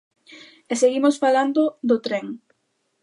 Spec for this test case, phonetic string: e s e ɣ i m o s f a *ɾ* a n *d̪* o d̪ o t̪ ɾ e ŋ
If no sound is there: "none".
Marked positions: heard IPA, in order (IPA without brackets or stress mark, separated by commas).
l, d̪